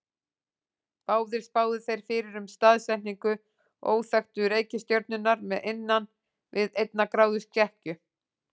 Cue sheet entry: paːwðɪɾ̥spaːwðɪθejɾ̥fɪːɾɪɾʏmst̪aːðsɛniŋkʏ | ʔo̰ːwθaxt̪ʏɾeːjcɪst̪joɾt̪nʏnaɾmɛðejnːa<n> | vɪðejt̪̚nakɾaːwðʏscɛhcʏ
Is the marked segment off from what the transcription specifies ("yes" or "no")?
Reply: no